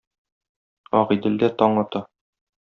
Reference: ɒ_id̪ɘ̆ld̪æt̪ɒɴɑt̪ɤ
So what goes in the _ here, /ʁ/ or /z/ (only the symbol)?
ʁ